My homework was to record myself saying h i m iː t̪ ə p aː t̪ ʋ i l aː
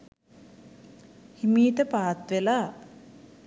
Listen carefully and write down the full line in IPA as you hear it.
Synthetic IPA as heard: h i m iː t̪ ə p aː t̪ ʋ e l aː